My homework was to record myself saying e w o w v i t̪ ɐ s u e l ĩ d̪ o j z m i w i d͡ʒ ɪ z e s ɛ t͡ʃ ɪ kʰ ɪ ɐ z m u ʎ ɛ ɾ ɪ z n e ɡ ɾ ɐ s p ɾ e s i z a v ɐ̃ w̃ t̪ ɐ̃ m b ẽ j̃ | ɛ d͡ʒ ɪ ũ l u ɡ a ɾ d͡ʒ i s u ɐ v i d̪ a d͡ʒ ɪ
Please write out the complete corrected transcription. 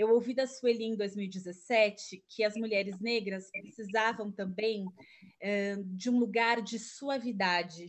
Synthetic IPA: e w o w v i d̪ ɐ s u e l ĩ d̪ o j z m i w i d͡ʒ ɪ z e s ɛ t͡ʃ ɪ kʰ ɪ ɐ z m u ʎ ɛ ɾ ɪ z n e ɡ ɾ ɐ s p ɾ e s i z a v ɐ̃ w̃ t̪ ɐ̃ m b ẽ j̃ | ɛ d͡ʒ ɪ ũ l u ɡ a ɾ d͡ʒ ɪ s u ɐ v i d̪ a d͡ʒ ɪ